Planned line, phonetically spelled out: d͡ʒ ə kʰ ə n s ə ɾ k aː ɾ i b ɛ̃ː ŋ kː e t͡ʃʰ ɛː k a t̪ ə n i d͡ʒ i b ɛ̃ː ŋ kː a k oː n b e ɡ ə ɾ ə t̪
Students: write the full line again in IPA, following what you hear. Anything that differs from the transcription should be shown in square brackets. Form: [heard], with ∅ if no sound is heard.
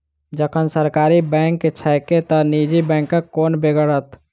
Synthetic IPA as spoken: d͡ʒ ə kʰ ə n s ə ɾ k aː ɾ i b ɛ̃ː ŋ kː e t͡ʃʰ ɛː k [e] t̪ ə n i d͡ʒ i b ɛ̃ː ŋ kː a k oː n b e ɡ ə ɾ ə t̪